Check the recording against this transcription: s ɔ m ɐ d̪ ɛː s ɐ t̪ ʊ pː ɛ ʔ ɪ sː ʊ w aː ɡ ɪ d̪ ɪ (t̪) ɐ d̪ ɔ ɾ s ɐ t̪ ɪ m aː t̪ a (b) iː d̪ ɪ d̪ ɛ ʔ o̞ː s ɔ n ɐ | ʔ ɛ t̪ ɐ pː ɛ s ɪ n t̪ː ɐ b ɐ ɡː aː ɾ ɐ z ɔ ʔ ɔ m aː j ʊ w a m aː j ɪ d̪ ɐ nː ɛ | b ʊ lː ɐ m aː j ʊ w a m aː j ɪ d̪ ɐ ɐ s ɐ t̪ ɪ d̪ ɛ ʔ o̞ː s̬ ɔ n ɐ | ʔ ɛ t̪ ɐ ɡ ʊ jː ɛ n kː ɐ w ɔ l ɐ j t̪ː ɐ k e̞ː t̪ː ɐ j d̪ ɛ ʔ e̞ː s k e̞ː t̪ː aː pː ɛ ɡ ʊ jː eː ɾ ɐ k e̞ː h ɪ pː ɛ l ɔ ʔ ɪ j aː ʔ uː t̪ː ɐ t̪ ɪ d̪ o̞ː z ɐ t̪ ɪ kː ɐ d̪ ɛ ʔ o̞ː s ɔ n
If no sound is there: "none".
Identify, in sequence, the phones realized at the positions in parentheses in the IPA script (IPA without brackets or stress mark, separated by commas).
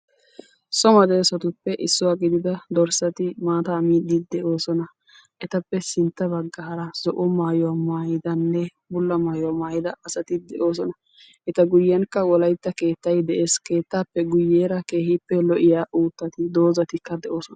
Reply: d̪, m